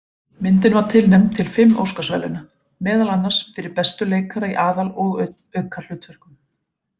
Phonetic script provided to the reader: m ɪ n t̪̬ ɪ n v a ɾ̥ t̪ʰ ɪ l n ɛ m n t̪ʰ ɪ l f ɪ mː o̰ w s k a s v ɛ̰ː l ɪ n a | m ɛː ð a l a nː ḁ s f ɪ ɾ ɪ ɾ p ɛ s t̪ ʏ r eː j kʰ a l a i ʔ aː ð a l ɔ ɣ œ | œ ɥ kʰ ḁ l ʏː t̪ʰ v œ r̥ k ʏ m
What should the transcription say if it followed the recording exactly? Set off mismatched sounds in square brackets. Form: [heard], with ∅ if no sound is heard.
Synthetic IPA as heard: m ɪ n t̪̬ ɪ n v a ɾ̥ t̪ʰ ɪ l n ɛ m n t̪ʰ ɪ l f ɪ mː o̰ w s k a s v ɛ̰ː l ɪ n a | m ɛː ð a l a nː ḁ s f ɪ ɾ ɪ ɾ p ɛ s t̪ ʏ [l] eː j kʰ a [ɾ] a i ʔ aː ð a l ɔ ɣ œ | œ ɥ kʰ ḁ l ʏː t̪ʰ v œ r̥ k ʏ m